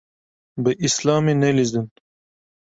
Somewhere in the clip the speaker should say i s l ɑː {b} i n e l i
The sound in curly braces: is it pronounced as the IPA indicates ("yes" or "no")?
no